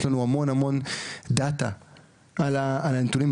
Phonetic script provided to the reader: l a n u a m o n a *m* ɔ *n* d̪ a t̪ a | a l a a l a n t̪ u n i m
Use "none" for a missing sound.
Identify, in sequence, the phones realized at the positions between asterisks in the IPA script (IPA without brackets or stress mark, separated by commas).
m, n